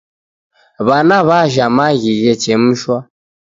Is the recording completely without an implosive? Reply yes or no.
yes